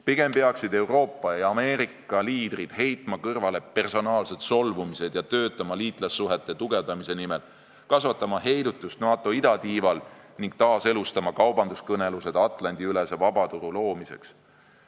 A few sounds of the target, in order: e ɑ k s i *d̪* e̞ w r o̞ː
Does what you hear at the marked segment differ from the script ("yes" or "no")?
no